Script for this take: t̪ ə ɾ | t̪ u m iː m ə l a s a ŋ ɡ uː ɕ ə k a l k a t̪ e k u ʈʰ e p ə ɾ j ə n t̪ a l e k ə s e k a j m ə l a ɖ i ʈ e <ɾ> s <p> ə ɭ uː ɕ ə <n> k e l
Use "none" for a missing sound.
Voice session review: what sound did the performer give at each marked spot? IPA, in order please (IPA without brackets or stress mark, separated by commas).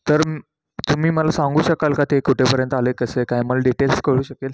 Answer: l, k, none